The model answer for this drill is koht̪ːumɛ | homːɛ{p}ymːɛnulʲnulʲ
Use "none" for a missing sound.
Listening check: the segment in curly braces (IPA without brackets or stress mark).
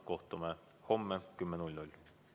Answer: k